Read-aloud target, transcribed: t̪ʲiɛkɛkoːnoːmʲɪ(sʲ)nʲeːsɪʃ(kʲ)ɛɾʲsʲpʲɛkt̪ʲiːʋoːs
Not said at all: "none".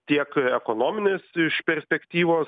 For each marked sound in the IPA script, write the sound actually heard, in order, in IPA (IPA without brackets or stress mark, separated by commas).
none, pʲ